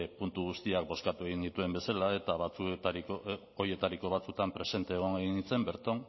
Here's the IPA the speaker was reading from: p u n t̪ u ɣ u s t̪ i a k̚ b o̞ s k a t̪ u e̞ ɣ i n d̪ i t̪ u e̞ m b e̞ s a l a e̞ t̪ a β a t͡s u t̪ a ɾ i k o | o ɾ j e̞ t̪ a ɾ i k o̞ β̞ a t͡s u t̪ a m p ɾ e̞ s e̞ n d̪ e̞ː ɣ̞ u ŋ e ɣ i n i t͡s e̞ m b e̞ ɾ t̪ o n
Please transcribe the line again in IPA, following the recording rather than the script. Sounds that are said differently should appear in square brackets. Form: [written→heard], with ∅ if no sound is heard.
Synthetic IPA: p u n t̪ u ɣ u s t̪ i a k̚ b o̞ s k a t̪ u e̞ ɣ i n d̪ i t̪ u e̞ m b e̞ s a l a e̞ t̪ a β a t͡s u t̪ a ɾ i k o | o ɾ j e̞ t̪ a ɾ i k o̞ β̞ a t͡s u t̪ a m p ɾ e̞ s e̞ n [d̪→t̪] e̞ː ɣ̞ [u→o] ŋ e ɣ i n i t͡s e̞ m b e̞ ɾ t̪ o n